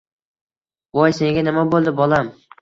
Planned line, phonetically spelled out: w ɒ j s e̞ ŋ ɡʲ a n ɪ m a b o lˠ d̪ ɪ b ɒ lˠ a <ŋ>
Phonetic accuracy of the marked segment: incorrect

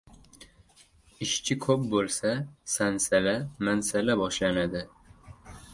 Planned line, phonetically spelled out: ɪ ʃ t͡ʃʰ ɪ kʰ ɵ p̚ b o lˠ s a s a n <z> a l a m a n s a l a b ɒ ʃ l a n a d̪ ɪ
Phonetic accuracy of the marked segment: incorrect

